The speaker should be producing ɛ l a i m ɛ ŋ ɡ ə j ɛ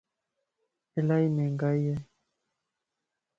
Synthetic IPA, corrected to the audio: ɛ l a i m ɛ ŋ ɡ a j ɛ